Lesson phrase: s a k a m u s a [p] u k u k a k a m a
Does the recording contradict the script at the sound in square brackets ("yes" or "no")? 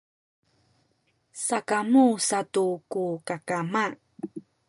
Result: yes